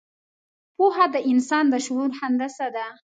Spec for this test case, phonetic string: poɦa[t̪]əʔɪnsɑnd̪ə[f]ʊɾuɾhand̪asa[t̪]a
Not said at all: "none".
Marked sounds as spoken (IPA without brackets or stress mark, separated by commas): d̪, ʃ, d̪